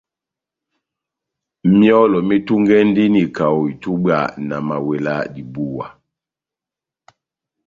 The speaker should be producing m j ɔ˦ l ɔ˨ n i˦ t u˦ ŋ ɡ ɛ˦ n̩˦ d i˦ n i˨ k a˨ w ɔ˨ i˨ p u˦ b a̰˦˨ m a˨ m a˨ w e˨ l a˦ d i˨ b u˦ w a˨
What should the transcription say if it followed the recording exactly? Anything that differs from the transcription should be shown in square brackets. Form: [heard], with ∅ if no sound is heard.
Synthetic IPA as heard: m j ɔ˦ l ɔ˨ [m] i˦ t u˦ ŋ ɡ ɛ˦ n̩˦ d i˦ n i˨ k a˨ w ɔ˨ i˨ [t] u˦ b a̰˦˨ [n] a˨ m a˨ w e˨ l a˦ d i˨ b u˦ w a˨